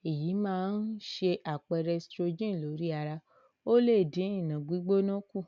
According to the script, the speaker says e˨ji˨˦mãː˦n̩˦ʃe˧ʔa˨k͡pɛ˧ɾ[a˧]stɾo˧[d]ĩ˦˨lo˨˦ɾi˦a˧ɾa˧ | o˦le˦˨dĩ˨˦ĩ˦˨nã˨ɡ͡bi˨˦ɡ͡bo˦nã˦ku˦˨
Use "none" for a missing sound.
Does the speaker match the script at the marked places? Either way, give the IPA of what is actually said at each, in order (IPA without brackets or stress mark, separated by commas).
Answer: ɛ˧, d͡ʒ